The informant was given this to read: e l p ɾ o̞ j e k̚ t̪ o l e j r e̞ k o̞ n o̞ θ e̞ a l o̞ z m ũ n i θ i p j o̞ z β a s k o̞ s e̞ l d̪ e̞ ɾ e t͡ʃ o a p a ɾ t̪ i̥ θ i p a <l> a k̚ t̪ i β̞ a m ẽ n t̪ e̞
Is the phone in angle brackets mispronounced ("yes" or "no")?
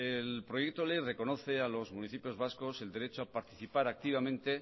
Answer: yes